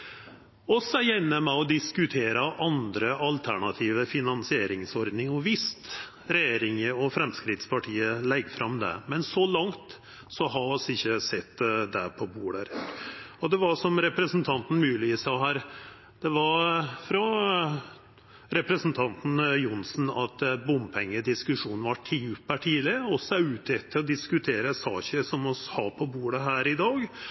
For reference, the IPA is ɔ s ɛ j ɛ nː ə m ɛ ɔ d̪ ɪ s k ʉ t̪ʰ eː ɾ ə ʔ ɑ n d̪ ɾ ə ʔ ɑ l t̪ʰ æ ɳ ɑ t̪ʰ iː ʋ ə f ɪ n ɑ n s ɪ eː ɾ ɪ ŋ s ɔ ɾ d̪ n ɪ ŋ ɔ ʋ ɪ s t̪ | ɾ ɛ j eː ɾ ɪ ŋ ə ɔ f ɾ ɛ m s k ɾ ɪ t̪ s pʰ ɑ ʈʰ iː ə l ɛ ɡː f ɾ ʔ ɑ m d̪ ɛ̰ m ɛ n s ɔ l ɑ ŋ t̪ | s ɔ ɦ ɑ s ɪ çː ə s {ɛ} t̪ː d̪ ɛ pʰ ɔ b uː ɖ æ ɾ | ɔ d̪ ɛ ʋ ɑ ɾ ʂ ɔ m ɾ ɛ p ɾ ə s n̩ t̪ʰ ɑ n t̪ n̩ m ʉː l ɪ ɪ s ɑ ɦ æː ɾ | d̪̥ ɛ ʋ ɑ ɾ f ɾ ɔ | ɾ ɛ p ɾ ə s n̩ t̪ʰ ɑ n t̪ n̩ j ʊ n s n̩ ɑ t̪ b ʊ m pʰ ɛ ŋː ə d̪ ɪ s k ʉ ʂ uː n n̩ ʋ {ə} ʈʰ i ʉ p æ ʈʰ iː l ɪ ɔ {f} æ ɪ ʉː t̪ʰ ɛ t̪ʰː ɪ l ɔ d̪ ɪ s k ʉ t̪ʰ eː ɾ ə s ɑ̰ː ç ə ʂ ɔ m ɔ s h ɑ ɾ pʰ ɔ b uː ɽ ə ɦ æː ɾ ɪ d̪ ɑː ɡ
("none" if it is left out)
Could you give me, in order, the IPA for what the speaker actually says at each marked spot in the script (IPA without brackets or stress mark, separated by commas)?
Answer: ɛ, ɑ, s